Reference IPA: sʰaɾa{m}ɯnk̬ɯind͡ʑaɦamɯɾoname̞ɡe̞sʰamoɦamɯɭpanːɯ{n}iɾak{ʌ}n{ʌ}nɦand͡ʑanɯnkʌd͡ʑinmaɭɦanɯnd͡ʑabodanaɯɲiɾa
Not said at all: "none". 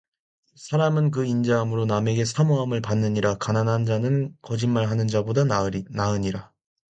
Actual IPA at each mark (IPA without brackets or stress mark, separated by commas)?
m, ɲ, a, a